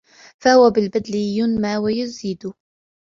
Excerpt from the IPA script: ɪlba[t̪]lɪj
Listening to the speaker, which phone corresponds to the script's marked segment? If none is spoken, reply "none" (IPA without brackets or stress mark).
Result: d̪